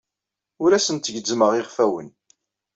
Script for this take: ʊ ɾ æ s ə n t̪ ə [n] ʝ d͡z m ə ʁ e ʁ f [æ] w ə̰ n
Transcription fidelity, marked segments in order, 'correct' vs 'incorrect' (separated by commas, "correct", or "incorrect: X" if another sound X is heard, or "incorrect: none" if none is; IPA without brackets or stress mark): incorrect: none, correct